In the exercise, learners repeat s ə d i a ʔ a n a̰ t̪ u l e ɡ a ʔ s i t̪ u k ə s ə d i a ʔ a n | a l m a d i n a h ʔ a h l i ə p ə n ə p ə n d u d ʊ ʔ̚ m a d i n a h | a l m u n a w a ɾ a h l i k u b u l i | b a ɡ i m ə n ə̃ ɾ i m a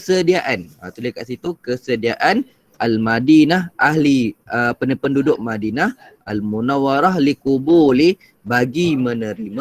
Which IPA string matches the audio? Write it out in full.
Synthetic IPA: s ə d i a ʔ a n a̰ t̪ u l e k a ʔ s i t̪ u k ə s ə d i a ʔ a n | a l m a d i n a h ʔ a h l i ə p ə n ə p ə n d u d ʊ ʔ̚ m a d i n a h | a l m u n a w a ɾ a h l i k u b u l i | b a ɡ i m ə n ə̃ ɾ i m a